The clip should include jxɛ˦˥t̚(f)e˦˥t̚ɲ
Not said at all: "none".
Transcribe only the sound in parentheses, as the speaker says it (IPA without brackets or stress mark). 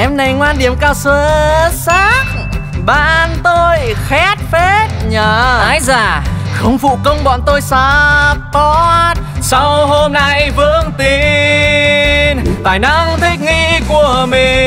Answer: f